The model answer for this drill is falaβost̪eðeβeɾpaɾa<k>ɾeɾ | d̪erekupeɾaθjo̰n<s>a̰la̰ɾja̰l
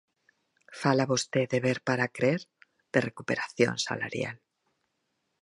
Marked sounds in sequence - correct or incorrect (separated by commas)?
correct, correct